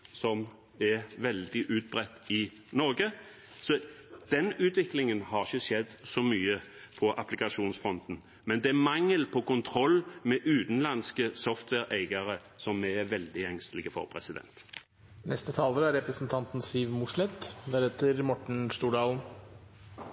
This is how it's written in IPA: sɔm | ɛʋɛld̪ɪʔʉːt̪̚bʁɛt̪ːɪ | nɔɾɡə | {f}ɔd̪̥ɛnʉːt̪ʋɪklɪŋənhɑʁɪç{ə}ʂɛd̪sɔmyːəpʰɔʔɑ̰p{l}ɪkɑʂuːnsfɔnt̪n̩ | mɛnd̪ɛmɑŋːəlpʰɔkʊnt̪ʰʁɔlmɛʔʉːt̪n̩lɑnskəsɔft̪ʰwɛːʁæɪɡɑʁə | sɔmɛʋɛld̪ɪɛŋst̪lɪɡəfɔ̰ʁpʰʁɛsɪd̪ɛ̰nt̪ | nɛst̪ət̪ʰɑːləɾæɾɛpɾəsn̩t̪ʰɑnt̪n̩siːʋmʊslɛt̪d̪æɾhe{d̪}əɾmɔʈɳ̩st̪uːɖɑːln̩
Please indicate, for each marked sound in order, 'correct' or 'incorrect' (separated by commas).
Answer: incorrect, correct, correct, incorrect